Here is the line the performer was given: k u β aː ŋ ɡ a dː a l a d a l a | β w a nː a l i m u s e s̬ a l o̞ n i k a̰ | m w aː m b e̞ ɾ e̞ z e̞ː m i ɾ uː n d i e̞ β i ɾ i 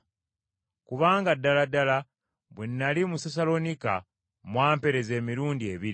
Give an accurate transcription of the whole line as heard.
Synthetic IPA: k u β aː ŋ ɡ a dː a l a d a l a | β w e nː a l i m u s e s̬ a l o̞ n i k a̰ | m w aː m p e̞ ɾ e̞ z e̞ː m i ɾ uː n d i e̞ β i ɾ i

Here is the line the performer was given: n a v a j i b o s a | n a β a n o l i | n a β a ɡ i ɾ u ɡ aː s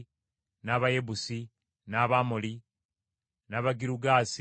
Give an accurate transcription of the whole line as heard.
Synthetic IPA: n a β a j e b u s i | n a β a m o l i | n a β a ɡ i ɾ u ɡ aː s

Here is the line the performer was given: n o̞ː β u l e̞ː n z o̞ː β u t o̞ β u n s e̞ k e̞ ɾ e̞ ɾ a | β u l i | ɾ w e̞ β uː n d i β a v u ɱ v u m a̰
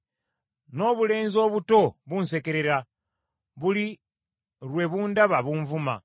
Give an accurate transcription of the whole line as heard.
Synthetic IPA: n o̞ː β u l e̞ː n z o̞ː β u t o̞ β u n s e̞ k e̞ ɾ e̞ ɾ a | β u l i | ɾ w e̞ β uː n d a β a β u ɱ v u m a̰

